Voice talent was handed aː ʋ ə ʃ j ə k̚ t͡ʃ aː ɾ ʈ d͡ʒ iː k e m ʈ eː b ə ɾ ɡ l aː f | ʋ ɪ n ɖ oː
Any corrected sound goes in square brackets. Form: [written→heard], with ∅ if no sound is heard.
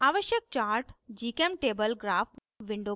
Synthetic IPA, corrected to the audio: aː ʋ ə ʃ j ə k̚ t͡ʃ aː ɾ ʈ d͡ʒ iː k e m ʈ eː b ə [ɾ→l] ɡ [l→ɾ] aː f | ʋ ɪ [n→ɳ] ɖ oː